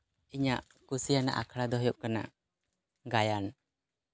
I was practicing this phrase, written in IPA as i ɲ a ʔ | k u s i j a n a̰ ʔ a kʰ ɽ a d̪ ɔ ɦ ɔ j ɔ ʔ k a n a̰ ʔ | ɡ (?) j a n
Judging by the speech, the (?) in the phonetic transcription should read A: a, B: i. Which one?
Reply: A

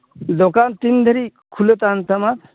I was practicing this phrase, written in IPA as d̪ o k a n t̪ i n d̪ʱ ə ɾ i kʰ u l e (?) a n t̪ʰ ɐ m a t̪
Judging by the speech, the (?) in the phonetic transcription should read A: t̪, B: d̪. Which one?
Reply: A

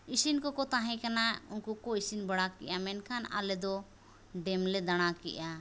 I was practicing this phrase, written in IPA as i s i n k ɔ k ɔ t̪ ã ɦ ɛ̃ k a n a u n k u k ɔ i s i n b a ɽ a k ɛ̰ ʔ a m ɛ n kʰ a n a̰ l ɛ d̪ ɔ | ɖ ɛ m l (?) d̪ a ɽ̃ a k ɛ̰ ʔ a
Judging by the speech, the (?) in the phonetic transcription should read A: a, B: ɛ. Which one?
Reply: B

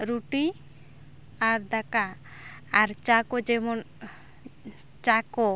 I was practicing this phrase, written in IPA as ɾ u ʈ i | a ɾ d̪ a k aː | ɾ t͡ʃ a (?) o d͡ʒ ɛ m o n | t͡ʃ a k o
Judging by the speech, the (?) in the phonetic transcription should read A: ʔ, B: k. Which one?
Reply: B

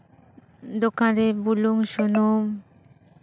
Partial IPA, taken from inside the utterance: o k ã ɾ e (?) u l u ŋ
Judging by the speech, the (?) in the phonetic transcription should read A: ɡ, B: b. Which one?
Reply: B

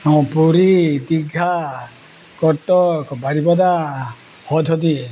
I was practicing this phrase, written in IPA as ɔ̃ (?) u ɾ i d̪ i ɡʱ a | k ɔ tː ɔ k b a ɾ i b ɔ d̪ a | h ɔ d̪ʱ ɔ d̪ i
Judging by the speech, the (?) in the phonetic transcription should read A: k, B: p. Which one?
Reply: B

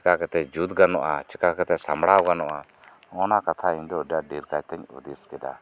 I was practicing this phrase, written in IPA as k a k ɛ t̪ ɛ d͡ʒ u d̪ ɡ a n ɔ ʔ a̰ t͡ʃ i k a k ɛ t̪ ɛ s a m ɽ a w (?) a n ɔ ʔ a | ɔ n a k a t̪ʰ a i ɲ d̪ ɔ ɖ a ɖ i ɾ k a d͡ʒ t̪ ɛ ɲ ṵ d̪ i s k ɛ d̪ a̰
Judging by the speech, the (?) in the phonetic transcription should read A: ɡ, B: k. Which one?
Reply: A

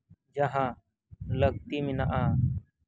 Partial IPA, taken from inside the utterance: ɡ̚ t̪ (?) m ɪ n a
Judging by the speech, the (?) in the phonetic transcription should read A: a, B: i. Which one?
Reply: B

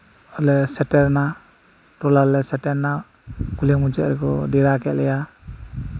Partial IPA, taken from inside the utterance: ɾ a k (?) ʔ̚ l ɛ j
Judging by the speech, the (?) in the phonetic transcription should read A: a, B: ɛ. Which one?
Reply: B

